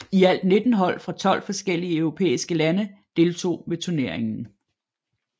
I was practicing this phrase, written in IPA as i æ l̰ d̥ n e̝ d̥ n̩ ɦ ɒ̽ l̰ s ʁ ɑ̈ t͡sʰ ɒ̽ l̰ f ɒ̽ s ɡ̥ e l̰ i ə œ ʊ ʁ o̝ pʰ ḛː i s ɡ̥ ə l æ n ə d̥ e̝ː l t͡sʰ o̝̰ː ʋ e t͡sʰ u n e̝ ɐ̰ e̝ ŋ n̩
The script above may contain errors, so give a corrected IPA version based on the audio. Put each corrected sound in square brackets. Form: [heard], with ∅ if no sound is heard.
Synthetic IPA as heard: i æ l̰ d̥ n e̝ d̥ n̩ ɦ ɒ̽ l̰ [f] ʁ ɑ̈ t͡sʰ ɒ̽ l̰ f ɒ̽ s ɡ̥ e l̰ i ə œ ʊ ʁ o̝ pʰ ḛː i s ɡ̥ ə l æ n ə d̥ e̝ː l t͡sʰ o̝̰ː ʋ e t͡sʰ u n e̝ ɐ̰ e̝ ŋ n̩